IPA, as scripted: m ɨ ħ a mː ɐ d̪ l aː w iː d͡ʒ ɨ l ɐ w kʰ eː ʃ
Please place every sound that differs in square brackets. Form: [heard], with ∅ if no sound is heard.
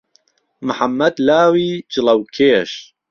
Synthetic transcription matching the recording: m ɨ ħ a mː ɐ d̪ l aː w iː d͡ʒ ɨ l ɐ w kʰ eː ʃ

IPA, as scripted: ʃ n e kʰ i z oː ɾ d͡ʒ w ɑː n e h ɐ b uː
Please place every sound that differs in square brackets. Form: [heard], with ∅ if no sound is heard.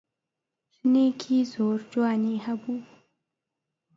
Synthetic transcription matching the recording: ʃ n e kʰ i z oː ɾ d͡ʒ w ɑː n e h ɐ b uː

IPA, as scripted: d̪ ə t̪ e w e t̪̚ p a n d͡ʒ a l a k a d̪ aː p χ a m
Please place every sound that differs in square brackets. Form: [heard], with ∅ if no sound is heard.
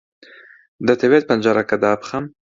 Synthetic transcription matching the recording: d̪ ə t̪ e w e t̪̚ p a n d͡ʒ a [ɾ] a k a d̪ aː p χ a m

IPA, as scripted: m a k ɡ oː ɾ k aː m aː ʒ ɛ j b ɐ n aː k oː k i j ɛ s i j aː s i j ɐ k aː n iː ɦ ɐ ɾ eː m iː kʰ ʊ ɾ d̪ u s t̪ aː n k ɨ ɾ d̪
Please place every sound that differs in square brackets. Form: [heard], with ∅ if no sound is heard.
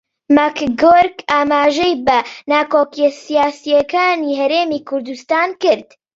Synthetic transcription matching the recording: m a k ɡ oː ɾ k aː m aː ʒ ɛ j b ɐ n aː k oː k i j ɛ s i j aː s i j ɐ k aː n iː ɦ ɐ ɾ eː m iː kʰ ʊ ɾ d̪ u s t̪ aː n k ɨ ɾ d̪

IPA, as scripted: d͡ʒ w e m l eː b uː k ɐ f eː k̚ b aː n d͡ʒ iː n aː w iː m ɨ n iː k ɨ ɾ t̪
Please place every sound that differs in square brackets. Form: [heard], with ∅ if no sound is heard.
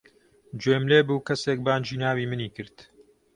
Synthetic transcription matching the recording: d͡ʒ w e m l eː b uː k ɐ [s] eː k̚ b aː n d͡ʒ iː n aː w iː m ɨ n iː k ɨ ɾ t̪

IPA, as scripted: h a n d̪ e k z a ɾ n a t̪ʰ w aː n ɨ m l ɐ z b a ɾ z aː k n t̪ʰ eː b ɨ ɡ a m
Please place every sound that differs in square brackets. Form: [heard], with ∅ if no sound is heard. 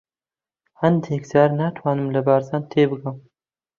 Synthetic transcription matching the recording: h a n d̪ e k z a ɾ n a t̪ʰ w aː n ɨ m l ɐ [∅] b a ɾ z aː [∅] n t̪ʰ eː b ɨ ɡ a m

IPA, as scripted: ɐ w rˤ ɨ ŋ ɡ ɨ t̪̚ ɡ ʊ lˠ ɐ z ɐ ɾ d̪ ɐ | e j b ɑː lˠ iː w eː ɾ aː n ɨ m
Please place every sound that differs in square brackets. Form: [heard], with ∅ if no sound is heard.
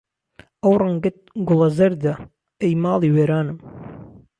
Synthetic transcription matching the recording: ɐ w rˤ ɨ ŋ ɡ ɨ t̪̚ ɡ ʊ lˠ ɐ z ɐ ɾ d̪ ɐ | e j [m] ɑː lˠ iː w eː ɾ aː n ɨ m

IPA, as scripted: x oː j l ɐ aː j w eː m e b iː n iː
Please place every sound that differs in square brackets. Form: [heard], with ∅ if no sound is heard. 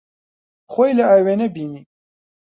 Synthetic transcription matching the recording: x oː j l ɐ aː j w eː [n] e b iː n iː

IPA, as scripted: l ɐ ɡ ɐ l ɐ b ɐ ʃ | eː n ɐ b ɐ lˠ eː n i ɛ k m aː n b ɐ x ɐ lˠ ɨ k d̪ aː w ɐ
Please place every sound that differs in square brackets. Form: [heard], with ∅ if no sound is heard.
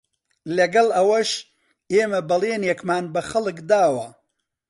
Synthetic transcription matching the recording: l ɐ ɡ ɐ l ɐ [w] ɐ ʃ | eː [m] ɐ b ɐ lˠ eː n [j] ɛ k m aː n b ɐ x ɐ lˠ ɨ k d̪ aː w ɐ

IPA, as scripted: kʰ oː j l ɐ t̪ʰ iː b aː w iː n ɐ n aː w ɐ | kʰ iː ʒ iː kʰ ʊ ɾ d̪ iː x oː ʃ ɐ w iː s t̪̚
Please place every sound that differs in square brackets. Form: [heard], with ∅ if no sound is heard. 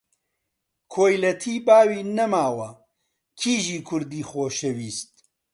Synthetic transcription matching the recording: kʰ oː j l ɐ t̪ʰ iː b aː w iː n ɐ [m] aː w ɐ | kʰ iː ʒ iː kʰ ʊ ɾ d̪ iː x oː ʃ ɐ w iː s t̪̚

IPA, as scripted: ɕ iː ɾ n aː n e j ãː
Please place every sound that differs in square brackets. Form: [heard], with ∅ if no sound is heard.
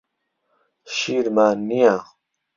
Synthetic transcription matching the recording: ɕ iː ɾ [m] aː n [i] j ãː

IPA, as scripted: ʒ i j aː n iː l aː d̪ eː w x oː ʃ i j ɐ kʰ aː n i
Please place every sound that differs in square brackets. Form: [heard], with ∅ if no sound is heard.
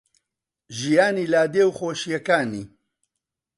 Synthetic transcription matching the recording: ʒ i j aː n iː l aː d̪ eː w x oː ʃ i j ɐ [k] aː n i

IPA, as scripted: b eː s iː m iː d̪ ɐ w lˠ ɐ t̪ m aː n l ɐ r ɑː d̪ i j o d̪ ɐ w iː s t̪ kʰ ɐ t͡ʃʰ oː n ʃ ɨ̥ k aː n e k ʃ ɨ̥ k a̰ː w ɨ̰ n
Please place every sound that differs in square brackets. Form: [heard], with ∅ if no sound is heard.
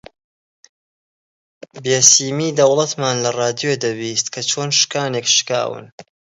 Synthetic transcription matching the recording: b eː s iː m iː d̪ ɐ w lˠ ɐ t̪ m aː n l ɐ r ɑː d̪ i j o d̪ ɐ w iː s t̪ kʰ ɐ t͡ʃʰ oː n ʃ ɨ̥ k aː n e k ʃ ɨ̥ k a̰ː w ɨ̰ n

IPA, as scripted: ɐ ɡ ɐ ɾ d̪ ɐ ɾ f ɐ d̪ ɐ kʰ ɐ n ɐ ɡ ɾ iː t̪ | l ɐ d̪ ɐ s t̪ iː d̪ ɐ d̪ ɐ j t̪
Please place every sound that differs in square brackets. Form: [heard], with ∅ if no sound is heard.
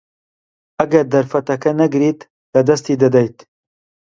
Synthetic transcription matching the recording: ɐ ɡ ɐ ɾ d̪ ɐ ɾ f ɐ [t̪] ɐ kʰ ɐ n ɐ ɡ ɾ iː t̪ | l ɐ d̪ ɐ s t̪ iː d̪ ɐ d̪ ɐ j t̪

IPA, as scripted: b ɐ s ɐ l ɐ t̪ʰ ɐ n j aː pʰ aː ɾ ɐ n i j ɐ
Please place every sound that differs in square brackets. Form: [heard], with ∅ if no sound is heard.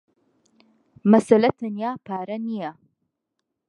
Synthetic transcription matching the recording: [m] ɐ s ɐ l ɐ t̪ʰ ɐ n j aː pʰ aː ɾ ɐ n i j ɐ

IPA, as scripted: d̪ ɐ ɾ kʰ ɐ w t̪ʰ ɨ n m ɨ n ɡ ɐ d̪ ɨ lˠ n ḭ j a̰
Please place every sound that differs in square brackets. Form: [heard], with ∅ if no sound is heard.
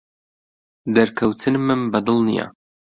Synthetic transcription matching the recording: d̪ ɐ ɾ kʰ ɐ w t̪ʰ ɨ n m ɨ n [b] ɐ d̪ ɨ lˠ n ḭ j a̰

